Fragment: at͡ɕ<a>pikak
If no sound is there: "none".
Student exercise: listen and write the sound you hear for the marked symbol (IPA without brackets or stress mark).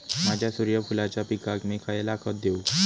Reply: a